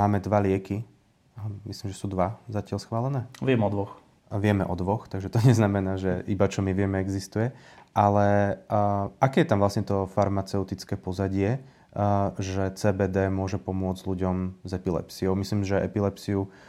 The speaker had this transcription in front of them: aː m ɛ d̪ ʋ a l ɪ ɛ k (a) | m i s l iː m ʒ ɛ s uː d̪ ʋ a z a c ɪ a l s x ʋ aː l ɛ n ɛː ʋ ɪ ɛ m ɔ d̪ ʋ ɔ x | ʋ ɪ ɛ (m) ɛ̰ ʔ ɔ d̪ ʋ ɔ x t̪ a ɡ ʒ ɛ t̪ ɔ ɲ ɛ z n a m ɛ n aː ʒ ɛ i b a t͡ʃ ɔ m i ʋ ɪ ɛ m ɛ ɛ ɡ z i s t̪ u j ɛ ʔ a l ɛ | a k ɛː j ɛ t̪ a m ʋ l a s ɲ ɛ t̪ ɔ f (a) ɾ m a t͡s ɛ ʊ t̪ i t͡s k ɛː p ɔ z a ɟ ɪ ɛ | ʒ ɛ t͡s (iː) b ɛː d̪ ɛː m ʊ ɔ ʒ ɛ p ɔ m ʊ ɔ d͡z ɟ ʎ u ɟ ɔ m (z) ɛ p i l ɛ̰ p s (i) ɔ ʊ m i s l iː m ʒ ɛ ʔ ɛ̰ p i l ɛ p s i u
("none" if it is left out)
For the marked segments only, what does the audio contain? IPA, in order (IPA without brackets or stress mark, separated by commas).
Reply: i, m, a, ɛː, z, i